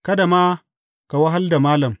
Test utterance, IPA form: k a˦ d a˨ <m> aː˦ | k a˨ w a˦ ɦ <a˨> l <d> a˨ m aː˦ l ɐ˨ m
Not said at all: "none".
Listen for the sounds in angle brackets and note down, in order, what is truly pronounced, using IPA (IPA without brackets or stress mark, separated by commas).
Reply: m, a˦, d